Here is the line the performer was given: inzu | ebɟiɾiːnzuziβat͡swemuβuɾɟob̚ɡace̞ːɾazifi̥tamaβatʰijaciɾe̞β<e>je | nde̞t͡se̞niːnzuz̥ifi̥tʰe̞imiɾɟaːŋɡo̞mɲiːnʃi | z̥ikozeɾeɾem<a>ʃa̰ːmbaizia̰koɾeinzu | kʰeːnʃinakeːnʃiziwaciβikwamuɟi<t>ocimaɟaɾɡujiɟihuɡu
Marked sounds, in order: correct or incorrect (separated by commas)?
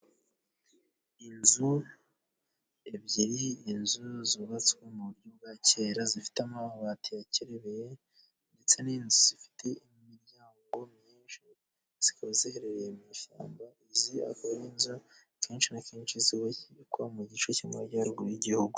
correct, incorrect, incorrect